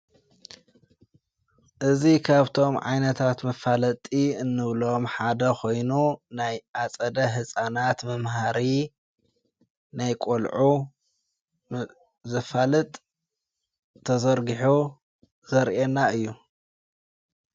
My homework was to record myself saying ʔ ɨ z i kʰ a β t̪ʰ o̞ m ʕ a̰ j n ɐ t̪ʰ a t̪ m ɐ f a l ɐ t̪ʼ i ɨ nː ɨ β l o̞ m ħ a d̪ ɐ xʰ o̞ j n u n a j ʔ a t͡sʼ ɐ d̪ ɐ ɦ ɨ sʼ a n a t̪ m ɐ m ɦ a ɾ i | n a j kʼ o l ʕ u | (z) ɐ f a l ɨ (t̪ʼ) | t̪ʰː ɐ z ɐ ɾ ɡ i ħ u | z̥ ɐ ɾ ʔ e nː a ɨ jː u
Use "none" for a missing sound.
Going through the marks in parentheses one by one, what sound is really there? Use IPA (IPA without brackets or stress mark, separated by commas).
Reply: z, t̪ʼ